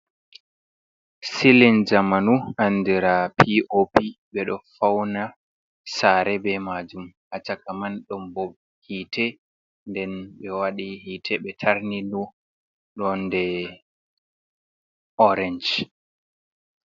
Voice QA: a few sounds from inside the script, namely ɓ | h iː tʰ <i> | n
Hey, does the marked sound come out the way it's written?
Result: no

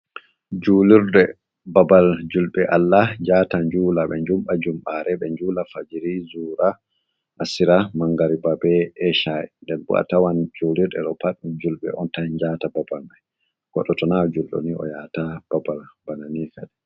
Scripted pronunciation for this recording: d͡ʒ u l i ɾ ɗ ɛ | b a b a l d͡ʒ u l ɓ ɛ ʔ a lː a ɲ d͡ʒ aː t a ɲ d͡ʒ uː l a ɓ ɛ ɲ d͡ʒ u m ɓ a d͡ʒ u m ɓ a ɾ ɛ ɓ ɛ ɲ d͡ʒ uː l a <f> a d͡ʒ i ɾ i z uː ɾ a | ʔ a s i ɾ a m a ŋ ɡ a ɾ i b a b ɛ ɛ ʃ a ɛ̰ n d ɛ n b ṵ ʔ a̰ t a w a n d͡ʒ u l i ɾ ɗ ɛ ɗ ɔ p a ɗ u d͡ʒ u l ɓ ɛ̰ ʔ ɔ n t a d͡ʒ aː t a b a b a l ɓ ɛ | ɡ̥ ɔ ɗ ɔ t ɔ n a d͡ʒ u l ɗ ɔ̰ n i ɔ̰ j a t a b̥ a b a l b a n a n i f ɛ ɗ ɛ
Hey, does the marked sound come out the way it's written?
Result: yes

